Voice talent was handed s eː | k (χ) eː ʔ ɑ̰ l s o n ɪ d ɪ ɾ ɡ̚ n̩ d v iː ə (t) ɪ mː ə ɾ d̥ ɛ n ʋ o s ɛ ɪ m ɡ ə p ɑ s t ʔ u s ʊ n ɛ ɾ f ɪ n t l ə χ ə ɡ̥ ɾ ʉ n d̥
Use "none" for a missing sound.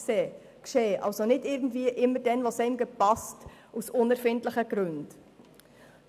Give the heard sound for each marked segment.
ʃ, ʔ

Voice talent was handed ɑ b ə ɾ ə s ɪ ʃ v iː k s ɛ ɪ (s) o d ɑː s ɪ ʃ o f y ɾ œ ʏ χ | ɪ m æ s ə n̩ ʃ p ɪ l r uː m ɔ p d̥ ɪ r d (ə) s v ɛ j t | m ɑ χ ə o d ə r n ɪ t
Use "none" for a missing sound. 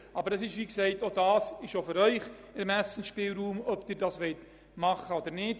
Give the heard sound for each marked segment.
t, ɑ

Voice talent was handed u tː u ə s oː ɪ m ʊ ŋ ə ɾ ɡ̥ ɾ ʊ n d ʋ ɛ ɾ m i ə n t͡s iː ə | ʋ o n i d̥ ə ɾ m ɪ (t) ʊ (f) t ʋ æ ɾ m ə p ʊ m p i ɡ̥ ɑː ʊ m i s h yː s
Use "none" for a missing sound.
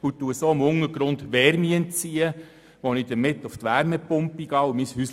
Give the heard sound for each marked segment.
t, f

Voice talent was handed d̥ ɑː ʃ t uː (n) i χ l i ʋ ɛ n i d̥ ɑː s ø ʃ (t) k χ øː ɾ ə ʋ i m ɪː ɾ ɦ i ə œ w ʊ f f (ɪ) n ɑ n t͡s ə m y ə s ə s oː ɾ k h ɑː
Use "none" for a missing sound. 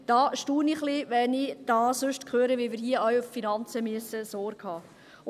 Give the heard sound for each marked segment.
n, t, i

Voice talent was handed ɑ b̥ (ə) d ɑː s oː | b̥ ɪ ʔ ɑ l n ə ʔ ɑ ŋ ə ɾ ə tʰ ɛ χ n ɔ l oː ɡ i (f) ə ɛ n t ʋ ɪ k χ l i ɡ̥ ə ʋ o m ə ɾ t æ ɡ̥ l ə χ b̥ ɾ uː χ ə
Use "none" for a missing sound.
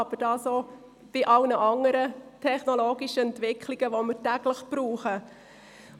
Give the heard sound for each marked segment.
ə, ʃ

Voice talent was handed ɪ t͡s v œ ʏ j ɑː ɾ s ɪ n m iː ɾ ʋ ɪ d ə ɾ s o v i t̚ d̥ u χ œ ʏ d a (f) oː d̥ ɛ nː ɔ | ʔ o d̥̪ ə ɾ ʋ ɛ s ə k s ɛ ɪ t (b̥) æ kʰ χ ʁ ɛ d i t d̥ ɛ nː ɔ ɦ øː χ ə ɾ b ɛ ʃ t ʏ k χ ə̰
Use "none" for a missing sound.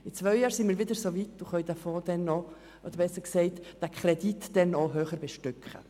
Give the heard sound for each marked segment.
f, d̥

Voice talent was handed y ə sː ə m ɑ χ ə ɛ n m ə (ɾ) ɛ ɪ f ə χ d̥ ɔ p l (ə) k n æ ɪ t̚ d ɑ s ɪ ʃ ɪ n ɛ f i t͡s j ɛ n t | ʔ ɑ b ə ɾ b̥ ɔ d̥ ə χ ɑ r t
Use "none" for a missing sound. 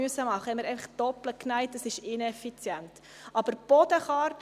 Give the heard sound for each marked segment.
ɾ, ə

